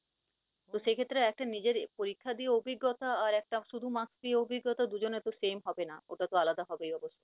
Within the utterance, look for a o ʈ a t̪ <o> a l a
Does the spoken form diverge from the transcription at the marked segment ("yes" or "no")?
no